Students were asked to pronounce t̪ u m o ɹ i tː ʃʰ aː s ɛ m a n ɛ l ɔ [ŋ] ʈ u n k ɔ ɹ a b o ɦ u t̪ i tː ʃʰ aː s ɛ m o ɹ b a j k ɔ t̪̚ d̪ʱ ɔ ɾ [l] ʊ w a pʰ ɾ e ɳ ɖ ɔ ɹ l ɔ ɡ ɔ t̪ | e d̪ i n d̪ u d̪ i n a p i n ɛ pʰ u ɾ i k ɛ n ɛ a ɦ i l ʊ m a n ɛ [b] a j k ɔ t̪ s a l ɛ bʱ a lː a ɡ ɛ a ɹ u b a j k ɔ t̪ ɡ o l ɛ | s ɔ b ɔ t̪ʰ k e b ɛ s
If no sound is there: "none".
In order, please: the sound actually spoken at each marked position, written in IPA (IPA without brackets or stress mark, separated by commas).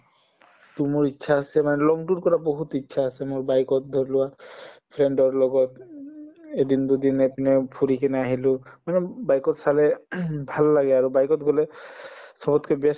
ŋ, l, b